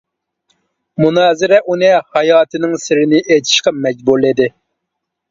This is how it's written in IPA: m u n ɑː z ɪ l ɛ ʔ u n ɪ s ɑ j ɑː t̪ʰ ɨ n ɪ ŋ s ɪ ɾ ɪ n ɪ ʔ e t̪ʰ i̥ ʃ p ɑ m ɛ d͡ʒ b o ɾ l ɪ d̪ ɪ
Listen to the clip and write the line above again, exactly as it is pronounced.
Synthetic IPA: m u n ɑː z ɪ ɾ ɛ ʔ u n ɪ h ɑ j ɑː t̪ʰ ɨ n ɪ ŋ s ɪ ɾ ɪ n ɪ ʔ e t̪ʰ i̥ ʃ q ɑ m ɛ d͡ʒ b u ɾ l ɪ d̪ ɪ